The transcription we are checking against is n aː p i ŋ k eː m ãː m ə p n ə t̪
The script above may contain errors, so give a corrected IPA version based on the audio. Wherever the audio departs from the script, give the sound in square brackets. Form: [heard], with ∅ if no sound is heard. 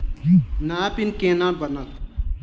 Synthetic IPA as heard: n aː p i [n] k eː [n] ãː [b] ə [∅] n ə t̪